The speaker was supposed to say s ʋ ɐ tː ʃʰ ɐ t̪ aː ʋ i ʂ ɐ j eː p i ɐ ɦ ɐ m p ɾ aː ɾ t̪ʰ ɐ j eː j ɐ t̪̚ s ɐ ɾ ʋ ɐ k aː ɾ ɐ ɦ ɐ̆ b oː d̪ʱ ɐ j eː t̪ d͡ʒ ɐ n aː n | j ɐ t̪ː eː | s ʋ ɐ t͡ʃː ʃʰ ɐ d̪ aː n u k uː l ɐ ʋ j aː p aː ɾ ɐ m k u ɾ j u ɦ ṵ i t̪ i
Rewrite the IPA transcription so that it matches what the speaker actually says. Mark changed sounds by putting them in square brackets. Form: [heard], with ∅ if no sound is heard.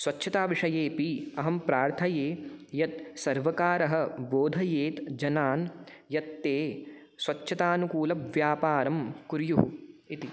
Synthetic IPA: s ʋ ɐ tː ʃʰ ɐ t̪ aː ʋ i ʂ ɐ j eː p i ɐ ɦ ɐ m p ɾ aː ɾ t̪ʰ ɐ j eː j ɐ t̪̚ s ɐ ɾ ʋ ɐ k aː ɾ ɐ ɦ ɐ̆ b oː d̪ʱ ɐ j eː t̪ d͡ʒ ɐ n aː n | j ɐ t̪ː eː | s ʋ ɐ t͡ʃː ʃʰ ɐ [t̪] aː n u k uː l ɐ ʋ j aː p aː ɾ ɐ m k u ɾ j u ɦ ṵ i t̪ i